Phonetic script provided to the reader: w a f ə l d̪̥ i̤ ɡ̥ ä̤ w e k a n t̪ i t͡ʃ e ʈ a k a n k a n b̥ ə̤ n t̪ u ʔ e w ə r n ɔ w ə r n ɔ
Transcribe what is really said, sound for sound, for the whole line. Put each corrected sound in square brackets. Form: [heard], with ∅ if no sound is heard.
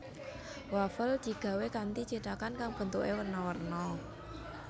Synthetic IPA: w a f ə l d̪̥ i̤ ɡ̥ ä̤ w e k a n t̪ i t͡ʃ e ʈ a k a n k a [ŋ] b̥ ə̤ n t̪ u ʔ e w ə r n ɔ w ə r n ɔ